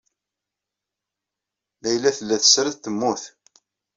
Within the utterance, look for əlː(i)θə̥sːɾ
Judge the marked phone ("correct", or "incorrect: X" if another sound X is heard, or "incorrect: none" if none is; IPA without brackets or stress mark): incorrect: æ